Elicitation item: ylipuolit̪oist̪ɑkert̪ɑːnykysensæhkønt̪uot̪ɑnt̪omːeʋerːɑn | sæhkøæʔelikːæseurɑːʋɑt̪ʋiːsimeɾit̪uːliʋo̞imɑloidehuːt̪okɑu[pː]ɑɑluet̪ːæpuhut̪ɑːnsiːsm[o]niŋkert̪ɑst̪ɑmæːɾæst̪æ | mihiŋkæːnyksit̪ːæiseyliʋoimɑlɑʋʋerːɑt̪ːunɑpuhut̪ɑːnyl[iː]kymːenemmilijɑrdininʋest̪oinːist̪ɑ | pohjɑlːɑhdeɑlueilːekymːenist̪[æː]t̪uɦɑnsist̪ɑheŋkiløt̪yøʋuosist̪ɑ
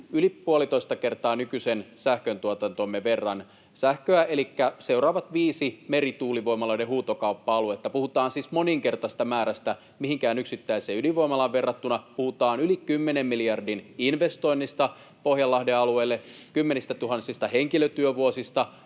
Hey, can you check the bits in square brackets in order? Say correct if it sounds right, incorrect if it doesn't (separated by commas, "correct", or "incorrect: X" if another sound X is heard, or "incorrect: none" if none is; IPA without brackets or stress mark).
correct, correct, incorrect: i, incorrect: æ